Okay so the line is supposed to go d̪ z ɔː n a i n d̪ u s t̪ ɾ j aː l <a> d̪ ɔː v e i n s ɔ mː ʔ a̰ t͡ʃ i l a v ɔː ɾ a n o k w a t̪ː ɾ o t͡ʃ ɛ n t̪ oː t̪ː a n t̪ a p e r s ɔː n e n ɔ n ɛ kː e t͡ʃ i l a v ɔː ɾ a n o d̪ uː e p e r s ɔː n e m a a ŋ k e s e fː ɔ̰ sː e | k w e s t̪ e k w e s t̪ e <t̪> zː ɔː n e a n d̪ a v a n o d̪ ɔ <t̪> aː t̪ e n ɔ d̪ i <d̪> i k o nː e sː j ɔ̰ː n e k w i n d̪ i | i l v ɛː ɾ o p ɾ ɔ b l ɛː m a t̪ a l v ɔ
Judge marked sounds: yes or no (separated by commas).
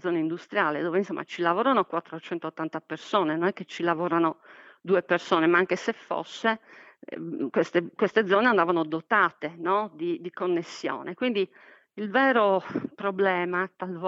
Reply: no, no, yes, yes